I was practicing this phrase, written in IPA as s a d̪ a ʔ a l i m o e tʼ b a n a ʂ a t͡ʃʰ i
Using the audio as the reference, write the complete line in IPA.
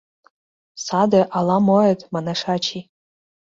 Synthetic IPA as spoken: s a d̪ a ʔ a l a m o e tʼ m a n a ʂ a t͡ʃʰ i

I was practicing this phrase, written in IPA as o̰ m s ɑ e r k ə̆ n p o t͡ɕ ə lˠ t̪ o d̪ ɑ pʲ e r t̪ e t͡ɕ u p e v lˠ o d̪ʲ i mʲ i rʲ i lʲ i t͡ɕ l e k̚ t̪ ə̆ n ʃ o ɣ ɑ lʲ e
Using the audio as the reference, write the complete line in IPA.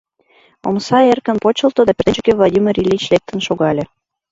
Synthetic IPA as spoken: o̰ m s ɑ e r k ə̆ n p o t͡ɕ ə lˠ t̪ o d̪ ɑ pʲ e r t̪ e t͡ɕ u k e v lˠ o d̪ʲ i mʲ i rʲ i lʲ i t͡ɕ l e k̚ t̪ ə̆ n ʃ o ɣ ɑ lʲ e

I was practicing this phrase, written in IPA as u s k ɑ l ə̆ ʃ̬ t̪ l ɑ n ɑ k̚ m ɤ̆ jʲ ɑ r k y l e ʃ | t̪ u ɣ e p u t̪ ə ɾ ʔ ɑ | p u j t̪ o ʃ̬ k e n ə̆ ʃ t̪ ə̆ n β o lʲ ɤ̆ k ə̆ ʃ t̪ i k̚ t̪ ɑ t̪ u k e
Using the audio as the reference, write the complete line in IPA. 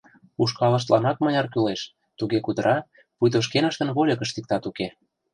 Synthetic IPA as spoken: u ʃ k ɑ l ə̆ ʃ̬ t̪ l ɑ n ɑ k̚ m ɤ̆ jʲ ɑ r k y l e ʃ | t̪ u ɣ e k u d̪ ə ɾ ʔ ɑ | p u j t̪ o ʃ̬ k e n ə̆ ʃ t̪ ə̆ n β o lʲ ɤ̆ k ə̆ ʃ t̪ i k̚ t̪ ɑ t̪ u k e

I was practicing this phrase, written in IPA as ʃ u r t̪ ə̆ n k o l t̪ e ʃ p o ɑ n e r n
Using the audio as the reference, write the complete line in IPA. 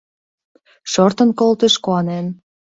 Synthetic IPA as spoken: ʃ o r t̪ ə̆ n k o l t̪ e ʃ k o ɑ n e n

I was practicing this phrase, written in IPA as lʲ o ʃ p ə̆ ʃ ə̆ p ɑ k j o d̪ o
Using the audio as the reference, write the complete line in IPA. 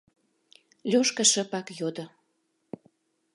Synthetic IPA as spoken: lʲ o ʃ k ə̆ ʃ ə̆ p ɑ k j o d̪ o

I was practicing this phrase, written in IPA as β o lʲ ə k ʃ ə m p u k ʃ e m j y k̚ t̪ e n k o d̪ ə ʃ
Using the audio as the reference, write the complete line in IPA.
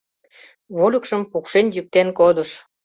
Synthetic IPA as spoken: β o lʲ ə k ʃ ə m p u k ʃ e n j y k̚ t̪ e n k o d̪ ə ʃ

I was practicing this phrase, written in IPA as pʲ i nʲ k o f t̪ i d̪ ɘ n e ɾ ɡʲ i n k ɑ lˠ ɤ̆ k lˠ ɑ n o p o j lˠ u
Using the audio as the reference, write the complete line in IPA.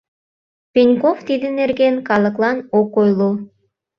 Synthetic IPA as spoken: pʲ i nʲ k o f t̪ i d̪ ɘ n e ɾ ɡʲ e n k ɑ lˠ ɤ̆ k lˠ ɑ n o k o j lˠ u

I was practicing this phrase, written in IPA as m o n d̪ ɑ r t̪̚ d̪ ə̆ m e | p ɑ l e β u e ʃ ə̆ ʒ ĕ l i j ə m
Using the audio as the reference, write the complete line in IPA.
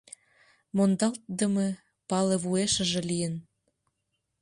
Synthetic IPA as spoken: m o n d̪ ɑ l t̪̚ d̪ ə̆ m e | p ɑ l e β u e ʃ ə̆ ʒ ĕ l i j ə n

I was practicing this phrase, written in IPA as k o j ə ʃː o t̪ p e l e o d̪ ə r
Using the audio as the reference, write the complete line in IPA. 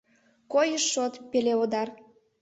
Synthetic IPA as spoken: k o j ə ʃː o t̪ p e l e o d̪ ɑ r

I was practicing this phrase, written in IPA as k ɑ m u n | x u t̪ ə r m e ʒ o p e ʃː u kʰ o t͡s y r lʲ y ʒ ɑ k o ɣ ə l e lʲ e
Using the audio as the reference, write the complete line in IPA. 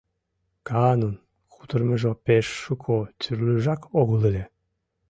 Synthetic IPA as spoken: k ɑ n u n | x u t̪ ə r m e ʒ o p e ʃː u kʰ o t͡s y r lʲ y ʒ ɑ k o ɣ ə l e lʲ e

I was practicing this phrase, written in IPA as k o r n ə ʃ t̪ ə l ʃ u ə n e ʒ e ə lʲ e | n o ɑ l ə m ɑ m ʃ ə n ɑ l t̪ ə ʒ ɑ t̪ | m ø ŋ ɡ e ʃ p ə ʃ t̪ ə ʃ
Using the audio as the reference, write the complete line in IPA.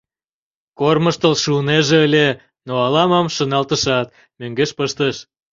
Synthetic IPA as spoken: k o r m ə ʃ t̪ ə l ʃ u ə n e ʒ e ə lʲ e | n o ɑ l ɑ m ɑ m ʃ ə n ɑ l t̪ ə ʃ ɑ t̪ | m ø ŋ ɡ e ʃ p ə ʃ t̪ ə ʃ

